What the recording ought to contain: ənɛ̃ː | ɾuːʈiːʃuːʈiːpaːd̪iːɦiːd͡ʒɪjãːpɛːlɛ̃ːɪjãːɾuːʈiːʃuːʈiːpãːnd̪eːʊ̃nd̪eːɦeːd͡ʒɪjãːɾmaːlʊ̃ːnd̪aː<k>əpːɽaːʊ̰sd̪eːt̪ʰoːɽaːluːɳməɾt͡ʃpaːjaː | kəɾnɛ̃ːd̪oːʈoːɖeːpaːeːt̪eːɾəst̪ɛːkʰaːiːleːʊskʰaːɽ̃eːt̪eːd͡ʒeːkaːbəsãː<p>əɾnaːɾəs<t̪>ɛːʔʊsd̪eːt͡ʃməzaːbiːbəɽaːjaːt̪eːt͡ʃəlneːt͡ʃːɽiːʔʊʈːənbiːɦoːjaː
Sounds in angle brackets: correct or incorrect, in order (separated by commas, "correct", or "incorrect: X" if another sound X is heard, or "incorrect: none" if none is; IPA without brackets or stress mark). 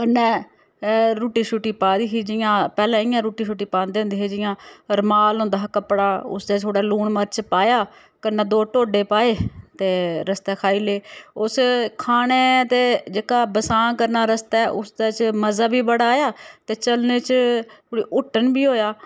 correct, incorrect: k, correct